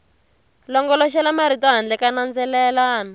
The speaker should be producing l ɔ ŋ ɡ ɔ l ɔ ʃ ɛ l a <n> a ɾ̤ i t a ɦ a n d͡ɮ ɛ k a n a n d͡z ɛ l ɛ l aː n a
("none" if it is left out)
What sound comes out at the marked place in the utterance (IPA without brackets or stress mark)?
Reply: m